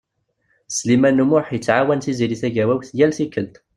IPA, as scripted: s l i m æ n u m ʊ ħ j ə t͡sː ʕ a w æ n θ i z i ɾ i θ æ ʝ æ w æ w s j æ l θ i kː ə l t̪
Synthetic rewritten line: s l i m æ n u m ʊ ħ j ə t͡sː ʕ a w æ n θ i z i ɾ i θ æ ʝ æ w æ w θ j æ l θ i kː ə l t̪